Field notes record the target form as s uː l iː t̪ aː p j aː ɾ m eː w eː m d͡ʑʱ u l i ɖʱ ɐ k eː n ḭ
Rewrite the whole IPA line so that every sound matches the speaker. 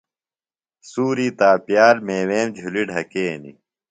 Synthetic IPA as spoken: s uː ɾ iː t̪ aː p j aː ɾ m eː w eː m d͡ʑʱ u l i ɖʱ ɐ k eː n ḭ